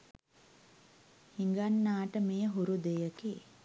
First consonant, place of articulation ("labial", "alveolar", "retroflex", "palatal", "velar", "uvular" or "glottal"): glottal